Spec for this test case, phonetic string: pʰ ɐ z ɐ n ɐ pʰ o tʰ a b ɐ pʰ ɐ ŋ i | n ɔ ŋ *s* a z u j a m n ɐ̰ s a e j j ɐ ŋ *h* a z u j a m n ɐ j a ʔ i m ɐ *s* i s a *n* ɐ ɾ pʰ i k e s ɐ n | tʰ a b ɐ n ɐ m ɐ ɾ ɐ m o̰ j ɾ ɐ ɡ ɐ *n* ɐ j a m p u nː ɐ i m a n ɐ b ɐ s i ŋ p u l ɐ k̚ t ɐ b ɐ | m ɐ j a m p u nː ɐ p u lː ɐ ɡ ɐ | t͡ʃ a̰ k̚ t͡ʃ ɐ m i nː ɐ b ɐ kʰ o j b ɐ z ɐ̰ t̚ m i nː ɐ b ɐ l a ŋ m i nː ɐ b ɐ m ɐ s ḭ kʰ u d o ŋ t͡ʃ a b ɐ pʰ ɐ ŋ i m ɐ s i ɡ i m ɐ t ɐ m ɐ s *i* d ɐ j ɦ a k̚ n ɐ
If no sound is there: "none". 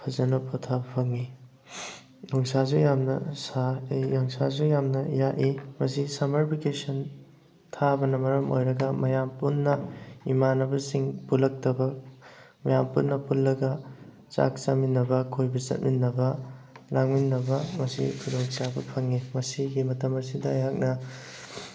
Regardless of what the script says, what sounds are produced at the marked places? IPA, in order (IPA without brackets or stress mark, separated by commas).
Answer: s, s, s, m, m, i